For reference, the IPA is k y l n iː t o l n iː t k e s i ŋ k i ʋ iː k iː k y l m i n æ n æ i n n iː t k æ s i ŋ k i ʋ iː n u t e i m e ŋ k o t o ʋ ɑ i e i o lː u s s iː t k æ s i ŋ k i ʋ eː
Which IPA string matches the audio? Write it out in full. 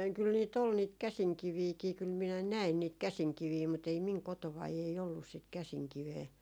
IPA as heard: k y l n iː t o l n iː t k æ s i ŋ k i ʋ iː k iː k y l m i n æ n æ i n n iː t k æ s i ŋ k i ʋ iː m u t e i m i ŋ k o t o ʋ ɑ i e i o lː u s s i t k æ s i ŋ k i ʋ eː